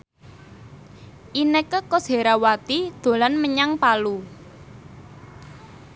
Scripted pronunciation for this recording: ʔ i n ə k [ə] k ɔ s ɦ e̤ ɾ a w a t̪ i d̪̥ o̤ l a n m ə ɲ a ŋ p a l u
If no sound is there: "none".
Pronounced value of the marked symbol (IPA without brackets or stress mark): ə